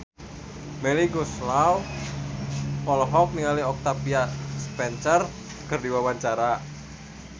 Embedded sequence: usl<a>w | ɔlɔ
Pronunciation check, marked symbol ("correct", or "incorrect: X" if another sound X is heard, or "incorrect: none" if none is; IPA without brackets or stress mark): correct